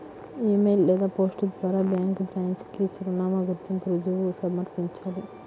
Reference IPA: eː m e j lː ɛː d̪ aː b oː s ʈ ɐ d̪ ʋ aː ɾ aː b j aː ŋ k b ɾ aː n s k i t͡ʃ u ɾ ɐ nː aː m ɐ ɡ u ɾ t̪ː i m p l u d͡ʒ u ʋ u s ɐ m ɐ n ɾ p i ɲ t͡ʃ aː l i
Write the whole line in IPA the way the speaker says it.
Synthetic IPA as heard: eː m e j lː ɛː d̪ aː p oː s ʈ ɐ d̪ ʋ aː ɾ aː b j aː ŋ k b ɾ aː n s k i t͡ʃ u ɾ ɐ n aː m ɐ ɡ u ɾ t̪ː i m p ɾ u d͡ʒ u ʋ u s ɐ m ɐ ɾ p i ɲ t͡ʃ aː l i